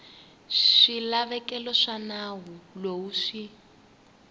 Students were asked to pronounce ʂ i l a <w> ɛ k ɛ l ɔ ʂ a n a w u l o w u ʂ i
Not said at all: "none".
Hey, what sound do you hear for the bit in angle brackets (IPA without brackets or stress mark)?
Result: β